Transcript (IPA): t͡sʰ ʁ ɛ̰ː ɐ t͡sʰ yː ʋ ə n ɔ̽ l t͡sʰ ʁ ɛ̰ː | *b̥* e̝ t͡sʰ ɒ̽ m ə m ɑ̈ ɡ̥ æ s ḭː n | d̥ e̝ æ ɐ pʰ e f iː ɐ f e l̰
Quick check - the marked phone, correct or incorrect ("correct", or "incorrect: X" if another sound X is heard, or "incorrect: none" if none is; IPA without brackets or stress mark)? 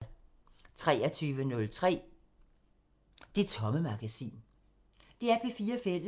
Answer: incorrect: d̥